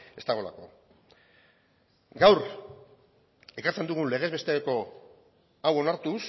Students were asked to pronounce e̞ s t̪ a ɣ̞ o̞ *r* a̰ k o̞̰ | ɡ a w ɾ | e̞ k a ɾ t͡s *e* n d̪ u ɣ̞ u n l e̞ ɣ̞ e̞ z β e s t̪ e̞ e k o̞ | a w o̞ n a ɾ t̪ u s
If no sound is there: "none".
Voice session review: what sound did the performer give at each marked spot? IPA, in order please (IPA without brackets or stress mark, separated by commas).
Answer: l, e